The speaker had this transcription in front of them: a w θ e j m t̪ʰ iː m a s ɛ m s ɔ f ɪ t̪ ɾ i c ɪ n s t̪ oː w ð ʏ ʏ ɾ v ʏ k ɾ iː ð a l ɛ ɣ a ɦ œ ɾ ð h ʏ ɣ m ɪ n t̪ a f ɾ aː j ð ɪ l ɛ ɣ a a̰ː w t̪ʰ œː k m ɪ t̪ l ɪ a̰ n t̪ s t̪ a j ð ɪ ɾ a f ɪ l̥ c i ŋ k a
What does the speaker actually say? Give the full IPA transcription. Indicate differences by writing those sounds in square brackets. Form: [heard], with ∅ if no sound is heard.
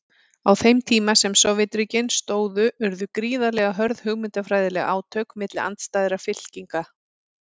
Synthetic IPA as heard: a w θ e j m t̪ʰ iː m a s ɛ m s ɔ [v] ɪ t̪ ɾ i c ɪ n s t̪ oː w ð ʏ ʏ ɾ [ð] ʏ k ɾ iː ð a l ɛ ɣ a ɦ œ ɾ ð h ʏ ɣ m ɪ n t̪ a f ɾ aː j ð ɪ l ɛ ɣ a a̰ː w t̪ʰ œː k m ɪ t̪ l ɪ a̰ n t̪ s t̪ a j ð ɪ ɾ a f ɪ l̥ c i ŋ k a